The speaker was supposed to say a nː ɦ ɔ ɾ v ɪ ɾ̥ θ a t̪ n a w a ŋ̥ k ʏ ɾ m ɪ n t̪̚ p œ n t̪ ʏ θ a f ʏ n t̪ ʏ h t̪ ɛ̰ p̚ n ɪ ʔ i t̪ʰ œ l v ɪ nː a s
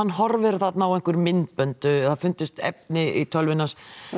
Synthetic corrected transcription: a nː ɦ ɔ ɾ v ɪ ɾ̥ θ a t̪ n a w ɛ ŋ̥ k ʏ ɾ m ɪ n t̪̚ p œ n t̪ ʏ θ a f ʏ n t̪ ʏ s t̪ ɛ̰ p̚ n ɪ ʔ i t̪ʰ œ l v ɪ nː a s